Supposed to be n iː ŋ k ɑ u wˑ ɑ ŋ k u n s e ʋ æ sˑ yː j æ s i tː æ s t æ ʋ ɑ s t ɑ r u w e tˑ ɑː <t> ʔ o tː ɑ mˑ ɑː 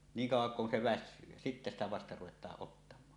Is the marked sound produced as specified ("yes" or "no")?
no